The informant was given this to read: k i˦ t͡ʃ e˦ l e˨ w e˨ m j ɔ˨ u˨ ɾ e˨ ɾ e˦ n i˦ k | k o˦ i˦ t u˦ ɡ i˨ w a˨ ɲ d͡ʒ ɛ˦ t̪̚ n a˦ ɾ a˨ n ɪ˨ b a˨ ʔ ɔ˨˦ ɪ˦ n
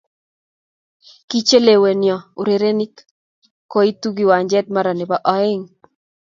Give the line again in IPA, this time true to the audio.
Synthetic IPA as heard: k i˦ t͡ʃ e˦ l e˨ w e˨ n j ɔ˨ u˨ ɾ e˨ ɾ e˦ n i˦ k | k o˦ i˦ t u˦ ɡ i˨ w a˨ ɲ d͡ʒ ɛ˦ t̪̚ m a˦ ɾ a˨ n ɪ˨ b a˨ ʔ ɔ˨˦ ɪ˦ ŋ